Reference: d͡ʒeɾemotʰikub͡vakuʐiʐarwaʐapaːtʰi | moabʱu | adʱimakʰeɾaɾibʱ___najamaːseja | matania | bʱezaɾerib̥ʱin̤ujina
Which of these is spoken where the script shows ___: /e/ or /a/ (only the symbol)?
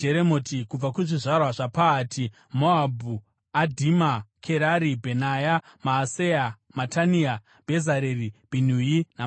e